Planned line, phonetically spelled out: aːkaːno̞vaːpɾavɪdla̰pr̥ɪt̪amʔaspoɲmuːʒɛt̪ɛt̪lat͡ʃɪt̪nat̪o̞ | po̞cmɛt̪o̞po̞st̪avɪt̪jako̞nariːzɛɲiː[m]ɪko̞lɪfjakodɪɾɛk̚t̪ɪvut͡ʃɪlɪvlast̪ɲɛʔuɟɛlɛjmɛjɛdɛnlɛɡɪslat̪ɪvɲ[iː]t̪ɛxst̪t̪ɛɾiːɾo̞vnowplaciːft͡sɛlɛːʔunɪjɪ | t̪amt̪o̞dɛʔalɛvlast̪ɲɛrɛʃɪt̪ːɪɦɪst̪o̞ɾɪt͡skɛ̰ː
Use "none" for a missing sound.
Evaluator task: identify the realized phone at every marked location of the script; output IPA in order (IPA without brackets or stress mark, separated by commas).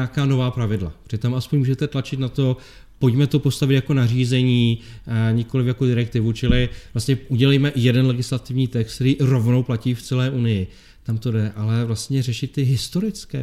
ɲ, iː